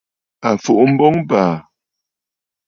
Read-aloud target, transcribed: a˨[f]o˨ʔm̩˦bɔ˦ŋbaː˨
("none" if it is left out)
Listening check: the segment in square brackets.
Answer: f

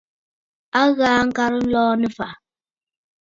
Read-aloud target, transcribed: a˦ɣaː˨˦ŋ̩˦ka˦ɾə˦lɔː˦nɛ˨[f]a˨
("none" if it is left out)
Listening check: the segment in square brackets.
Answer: f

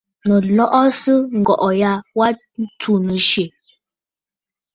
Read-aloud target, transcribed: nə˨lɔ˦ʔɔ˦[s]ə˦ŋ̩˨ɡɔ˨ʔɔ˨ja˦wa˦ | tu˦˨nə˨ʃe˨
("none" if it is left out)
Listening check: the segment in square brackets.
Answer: s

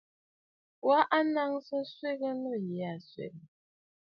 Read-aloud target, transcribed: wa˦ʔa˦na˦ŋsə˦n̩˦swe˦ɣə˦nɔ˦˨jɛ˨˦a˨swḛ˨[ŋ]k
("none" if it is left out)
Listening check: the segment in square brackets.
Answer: none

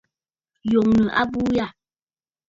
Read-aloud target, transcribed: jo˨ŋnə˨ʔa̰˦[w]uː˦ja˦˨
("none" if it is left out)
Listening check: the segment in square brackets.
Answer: b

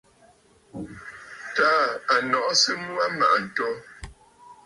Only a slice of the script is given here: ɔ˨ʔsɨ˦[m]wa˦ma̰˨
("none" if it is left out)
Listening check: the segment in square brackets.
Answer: m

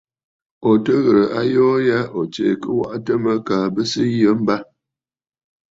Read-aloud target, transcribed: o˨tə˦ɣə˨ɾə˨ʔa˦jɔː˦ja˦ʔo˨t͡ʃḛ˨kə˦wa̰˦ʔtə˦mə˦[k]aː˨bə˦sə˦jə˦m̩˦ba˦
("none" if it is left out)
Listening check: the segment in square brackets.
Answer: k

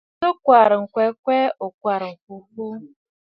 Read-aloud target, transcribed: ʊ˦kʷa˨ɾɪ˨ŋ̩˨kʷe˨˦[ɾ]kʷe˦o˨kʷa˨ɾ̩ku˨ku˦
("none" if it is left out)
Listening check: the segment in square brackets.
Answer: none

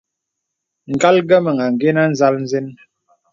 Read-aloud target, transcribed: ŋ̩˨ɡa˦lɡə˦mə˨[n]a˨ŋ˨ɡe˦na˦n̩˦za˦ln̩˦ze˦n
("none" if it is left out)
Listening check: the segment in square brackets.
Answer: ŋ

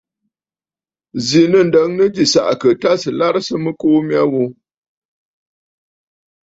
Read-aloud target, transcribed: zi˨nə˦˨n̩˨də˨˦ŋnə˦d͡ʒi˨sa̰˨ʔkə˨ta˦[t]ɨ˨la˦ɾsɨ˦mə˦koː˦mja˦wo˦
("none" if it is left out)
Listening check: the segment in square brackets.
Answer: s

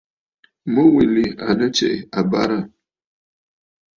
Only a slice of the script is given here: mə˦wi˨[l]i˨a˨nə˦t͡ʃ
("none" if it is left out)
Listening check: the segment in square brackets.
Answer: l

